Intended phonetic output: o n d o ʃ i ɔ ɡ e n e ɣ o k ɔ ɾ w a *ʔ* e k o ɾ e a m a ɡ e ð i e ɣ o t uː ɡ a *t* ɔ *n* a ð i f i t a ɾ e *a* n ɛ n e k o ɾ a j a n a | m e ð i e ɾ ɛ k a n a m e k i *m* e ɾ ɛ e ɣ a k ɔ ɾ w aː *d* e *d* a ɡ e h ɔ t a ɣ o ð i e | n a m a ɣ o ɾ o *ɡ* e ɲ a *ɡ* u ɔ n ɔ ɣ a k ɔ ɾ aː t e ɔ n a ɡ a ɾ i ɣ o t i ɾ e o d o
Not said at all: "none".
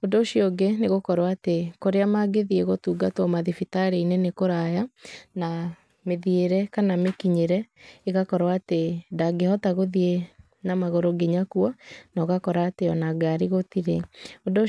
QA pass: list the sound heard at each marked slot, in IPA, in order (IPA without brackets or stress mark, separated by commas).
t, t, m, i, ɲ, t, d, ɡ, k